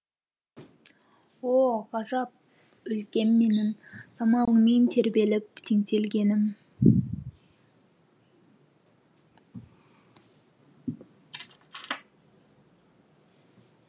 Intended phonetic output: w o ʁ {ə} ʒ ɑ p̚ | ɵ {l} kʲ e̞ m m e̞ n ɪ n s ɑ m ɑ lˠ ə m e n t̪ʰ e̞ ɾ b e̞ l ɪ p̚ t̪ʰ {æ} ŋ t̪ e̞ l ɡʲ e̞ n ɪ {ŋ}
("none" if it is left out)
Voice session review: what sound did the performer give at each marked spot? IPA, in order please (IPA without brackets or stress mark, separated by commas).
ɑ, l, e, m